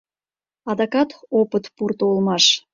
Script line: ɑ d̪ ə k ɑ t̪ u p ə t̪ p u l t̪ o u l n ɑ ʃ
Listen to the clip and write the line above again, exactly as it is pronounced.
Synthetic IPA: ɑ d̪ ɑ k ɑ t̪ o p ə t̪ p u r t̪ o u l m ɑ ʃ